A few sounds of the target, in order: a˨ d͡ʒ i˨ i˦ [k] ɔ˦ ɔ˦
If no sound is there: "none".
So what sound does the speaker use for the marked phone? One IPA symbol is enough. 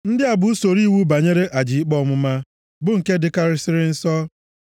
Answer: k͡p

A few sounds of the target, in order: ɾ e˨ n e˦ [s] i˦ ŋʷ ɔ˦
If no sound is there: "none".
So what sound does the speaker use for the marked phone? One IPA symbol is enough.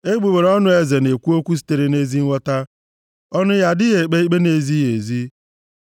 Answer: z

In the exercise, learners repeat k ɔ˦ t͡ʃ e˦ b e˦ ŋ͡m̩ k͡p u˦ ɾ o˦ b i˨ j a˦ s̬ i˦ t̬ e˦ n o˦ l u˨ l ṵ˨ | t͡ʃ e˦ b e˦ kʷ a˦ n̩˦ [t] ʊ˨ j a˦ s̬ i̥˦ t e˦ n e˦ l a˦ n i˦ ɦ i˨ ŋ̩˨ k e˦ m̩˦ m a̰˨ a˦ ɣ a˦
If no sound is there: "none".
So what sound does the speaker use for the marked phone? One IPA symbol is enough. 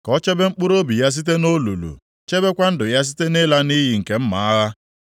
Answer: d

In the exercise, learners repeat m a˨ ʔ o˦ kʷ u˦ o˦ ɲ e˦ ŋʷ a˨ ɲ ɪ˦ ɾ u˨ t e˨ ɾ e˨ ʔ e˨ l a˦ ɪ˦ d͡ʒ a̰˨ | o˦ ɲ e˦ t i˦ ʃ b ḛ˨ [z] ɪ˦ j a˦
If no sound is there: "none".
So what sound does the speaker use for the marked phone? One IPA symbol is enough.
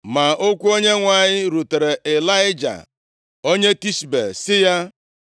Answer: s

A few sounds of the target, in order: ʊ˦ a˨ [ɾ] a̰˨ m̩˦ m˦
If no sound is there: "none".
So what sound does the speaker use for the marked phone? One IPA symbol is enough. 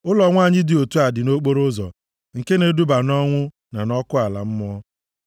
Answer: l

